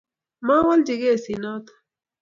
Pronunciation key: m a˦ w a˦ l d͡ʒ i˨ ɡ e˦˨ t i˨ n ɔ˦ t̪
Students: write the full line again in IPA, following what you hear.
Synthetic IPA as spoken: m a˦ w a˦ l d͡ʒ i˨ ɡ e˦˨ s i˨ n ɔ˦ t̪